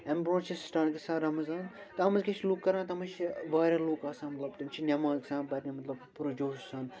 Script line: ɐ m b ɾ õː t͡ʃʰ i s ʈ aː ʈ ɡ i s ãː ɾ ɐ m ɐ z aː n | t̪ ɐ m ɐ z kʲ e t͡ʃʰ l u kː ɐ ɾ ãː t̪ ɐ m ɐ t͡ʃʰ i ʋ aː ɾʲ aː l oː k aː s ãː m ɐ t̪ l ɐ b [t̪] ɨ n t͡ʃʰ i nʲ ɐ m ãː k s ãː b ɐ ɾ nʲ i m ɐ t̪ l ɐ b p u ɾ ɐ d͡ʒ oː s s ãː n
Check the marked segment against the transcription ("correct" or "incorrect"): correct